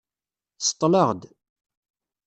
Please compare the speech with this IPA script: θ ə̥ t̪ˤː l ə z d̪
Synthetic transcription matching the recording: s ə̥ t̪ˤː l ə ʁ d̪